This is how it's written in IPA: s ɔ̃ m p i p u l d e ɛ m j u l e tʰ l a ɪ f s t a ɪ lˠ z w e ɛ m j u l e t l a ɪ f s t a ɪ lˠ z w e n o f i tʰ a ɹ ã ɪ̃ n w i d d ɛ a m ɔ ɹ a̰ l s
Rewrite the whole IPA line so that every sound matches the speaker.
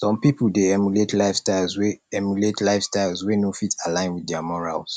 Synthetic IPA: s ɔ̃ m p i p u l d e ɛ m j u l e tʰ l a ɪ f s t a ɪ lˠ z w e ɛ m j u l e t l a ɪ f s t a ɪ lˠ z w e n o f i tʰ a l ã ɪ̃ n w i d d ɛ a m ɔ ɹ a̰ l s